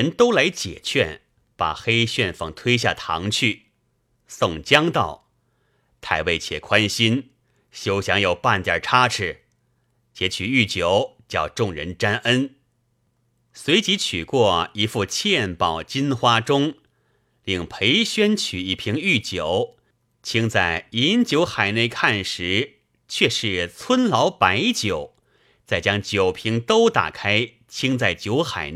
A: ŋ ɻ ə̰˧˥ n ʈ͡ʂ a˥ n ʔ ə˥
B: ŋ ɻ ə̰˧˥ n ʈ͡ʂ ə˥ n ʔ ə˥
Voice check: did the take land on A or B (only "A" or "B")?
A